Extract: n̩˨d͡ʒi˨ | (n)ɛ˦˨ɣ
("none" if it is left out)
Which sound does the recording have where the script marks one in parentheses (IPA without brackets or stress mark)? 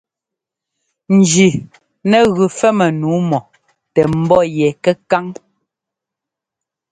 n